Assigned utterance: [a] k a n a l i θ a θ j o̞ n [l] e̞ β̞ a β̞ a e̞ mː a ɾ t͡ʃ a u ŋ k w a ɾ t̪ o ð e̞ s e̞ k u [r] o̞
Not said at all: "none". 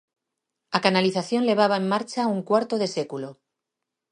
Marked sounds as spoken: a, l, l

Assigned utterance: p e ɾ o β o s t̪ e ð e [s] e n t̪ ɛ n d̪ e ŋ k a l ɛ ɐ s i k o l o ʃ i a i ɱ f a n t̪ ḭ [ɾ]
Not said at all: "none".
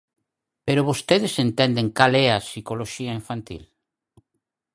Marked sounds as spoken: s, l

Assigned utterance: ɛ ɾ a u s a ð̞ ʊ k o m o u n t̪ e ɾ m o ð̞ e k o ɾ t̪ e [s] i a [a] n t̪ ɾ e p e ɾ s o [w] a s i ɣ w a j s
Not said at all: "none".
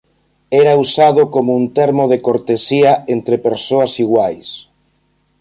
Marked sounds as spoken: s, e, none

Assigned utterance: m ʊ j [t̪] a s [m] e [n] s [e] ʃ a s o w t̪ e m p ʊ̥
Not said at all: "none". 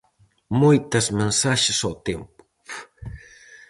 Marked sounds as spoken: t̪, m, n, a

